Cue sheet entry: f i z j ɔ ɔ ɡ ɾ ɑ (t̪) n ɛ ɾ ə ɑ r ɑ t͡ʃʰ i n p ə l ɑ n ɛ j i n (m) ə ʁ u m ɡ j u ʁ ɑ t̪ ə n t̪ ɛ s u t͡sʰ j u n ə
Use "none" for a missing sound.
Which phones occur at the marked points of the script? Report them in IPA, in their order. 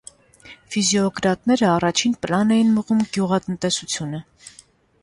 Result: t̪, m

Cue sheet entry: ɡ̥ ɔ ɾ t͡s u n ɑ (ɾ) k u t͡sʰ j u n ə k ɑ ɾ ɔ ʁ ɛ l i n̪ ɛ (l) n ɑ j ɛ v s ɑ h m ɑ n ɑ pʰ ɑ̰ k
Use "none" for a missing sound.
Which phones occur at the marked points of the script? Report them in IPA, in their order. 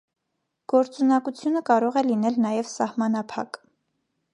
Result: none, l

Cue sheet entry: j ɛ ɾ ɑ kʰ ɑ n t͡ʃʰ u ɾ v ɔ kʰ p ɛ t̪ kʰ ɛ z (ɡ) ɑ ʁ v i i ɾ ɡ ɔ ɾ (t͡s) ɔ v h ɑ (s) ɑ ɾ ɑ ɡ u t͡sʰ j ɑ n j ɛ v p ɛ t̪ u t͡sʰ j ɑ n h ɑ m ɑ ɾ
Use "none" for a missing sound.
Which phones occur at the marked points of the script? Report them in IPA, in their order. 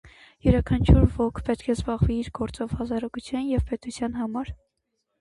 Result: b, t͡s, z

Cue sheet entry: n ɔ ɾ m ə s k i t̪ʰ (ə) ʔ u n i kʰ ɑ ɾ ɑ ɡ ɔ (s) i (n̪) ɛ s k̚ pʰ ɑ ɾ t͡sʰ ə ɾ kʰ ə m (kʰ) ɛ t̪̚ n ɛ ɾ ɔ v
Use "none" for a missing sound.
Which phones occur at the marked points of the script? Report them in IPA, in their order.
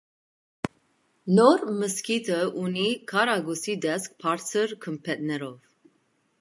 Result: ə, s, d̪, pʰ

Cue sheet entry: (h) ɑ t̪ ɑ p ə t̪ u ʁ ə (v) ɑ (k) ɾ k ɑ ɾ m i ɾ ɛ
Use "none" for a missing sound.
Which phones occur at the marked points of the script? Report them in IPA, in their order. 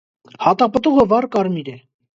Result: h, v, none

